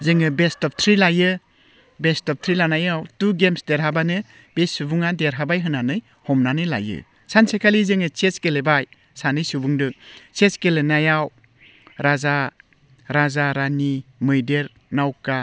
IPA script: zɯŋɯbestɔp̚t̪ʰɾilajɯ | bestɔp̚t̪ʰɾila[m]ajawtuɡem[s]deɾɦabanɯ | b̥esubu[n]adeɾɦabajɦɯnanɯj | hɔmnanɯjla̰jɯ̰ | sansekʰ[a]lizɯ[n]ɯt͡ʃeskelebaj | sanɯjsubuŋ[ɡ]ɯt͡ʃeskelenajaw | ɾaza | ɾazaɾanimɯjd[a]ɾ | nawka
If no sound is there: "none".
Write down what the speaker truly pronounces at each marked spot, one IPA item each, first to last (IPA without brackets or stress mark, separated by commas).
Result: n, s, ŋ, a, ŋ, d, e